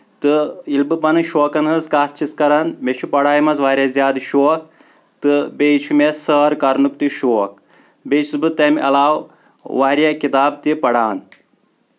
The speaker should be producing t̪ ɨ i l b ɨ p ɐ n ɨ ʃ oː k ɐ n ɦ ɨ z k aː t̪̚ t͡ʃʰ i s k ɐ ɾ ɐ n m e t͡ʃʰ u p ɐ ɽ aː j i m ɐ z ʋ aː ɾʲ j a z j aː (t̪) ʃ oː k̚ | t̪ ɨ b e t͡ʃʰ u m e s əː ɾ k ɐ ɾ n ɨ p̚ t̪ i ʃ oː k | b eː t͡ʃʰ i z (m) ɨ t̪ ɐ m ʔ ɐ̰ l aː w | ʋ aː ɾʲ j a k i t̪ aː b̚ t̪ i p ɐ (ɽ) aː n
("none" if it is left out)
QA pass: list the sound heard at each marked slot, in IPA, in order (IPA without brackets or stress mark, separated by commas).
d̪, b, ɽ